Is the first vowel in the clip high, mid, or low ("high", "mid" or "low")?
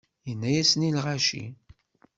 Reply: mid